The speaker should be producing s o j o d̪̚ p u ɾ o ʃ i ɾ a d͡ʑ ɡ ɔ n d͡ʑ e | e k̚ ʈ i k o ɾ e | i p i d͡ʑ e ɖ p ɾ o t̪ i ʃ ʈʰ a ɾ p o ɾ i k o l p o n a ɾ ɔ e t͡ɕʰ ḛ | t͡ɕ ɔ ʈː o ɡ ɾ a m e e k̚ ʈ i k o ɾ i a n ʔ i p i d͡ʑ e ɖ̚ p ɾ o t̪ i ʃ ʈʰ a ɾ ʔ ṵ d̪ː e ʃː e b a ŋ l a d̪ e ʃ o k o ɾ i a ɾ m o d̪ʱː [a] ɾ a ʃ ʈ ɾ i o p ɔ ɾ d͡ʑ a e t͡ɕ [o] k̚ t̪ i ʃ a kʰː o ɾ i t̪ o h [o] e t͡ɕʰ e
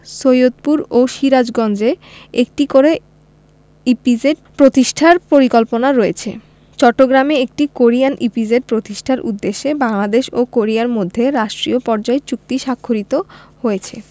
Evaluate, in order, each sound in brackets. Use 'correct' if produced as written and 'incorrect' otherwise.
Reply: incorrect, incorrect, correct

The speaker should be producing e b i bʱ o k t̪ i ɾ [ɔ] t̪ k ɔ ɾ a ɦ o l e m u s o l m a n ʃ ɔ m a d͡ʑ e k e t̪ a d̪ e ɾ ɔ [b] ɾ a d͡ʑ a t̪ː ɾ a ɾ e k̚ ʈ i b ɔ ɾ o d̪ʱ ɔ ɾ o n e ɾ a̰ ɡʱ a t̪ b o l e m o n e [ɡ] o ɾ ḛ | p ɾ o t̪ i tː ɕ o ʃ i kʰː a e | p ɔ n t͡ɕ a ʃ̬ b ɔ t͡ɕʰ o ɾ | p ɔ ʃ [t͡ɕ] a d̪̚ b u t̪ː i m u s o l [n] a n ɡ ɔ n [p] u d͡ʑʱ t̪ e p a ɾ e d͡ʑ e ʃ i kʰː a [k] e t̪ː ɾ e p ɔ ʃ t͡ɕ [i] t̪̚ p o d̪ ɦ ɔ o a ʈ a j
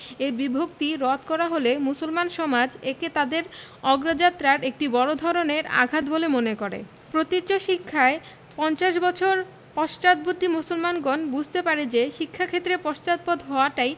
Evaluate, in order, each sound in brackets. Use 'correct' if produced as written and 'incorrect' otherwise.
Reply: correct, incorrect, incorrect, correct, incorrect, incorrect, incorrect, incorrect

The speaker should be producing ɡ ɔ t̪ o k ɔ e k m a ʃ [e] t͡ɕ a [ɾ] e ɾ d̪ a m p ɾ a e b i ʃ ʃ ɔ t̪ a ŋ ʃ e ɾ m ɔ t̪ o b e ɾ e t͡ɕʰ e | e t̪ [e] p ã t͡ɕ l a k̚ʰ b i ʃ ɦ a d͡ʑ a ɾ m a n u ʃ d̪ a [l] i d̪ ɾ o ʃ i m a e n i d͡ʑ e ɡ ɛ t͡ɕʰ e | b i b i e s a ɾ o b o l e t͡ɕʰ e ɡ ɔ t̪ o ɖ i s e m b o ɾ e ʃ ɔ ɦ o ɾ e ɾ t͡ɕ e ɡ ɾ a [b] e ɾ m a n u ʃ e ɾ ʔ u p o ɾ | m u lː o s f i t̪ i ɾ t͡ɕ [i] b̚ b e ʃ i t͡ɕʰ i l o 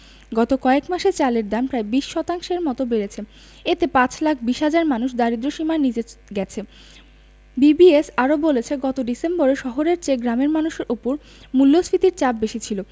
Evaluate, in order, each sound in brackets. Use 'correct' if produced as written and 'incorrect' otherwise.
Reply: correct, incorrect, correct, incorrect, incorrect, incorrect

